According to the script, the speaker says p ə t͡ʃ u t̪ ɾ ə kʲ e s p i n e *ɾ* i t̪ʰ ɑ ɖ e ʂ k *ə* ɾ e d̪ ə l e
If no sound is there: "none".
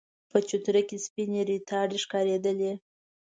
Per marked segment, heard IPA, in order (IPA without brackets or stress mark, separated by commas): ɾ, ɑ